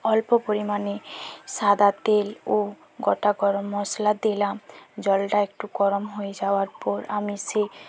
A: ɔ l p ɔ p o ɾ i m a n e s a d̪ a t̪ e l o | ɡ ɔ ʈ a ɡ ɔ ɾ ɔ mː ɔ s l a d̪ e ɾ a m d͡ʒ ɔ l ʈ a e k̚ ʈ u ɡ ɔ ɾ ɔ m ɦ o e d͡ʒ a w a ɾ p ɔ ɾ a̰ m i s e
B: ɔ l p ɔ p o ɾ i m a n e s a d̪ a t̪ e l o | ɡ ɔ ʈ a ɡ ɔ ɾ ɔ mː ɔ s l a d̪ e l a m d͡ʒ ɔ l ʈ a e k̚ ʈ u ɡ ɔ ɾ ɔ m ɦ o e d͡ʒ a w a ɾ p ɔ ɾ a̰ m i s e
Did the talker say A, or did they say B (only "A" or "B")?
B